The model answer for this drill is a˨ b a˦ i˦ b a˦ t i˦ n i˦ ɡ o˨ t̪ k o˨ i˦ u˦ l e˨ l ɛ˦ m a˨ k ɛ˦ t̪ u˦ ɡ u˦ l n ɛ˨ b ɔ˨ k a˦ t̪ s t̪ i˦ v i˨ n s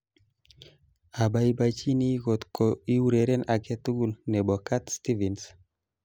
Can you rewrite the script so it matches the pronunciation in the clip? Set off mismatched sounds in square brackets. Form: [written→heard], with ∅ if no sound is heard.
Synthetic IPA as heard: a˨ b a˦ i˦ b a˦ [t→t͡ʃ] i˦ n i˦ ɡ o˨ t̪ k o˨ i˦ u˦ [l→ɾ] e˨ [l→ɾ] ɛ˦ [m→n] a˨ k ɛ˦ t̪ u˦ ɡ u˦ l n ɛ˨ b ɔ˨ k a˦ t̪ s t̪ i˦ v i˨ n s